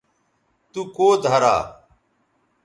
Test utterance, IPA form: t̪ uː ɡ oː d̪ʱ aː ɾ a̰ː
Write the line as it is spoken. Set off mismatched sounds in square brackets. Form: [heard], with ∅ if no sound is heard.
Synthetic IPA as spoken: t̪ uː [k] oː d̪ʱ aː ɾ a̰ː